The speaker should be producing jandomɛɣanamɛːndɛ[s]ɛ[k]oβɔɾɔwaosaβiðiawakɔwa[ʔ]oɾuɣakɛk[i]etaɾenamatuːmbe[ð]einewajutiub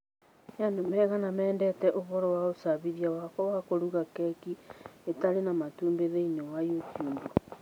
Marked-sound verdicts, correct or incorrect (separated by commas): incorrect, incorrect, incorrect, correct, correct